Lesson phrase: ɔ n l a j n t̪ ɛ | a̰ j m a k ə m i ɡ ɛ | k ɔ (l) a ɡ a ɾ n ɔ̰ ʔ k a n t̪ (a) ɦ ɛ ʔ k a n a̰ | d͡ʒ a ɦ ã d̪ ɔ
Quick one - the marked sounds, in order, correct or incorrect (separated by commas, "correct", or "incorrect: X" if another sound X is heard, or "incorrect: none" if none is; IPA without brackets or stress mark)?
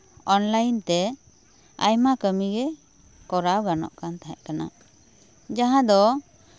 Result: incorrect: ɾ, correct